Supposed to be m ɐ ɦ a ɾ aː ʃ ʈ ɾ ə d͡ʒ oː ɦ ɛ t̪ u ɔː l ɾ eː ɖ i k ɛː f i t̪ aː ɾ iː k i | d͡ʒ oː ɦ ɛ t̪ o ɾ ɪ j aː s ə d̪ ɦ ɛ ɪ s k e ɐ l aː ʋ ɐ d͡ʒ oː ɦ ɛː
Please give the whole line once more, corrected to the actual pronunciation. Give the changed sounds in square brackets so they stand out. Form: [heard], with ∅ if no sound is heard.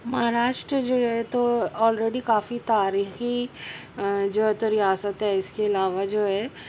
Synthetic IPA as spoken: m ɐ ɦ a ɾ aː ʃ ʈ ɾ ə d͡ʒ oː ɦ ɛ t̪ [o] ɔː l ɾ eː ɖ i k [aː] f i t̪ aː ɾ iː [x] i | d͡ʒ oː ɦ ɛ t̪ o ɾ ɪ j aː s ə [t̪] ɦ ɛ ɪ s k e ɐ l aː ʋ [a] d͡ʒ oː ɦ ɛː